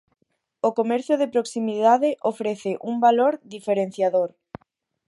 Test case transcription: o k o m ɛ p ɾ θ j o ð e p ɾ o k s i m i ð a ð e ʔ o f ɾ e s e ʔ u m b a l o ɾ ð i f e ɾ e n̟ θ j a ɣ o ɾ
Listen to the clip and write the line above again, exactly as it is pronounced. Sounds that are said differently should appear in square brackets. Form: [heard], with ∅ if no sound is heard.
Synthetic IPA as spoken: o k o m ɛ [∅] ɾ θ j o ð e p ɾ o k s i m i ð a ð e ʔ o f ɾ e [θ] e ʔ u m b a l o ɾ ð i f e ɾ e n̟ θ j a [ð] o ɾ